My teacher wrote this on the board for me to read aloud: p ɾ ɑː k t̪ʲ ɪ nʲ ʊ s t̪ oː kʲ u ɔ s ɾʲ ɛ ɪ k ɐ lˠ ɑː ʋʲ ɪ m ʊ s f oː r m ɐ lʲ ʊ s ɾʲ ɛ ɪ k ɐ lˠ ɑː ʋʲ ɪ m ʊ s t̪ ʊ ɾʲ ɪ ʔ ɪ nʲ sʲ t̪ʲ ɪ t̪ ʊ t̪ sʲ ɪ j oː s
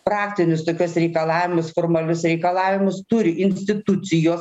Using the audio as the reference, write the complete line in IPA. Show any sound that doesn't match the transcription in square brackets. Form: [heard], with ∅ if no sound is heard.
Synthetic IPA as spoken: p ɾ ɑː k t̪ʲ ɪ nʲ ʊ s t̪ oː kʲ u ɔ s ɾʲ ɛ ɪ k ɐ lˠ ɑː ʋʲ ɪ m ʊ s f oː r m ɐ lʲ ʊ s ɾʲ ɛ ɪ k ɐ lˠ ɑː ʋʲ ɪ m ʊ s t̪ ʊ ɾʲ ɪ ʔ ɪ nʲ sʲ t̪ʲ ɪ t̪ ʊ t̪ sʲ ɪ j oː s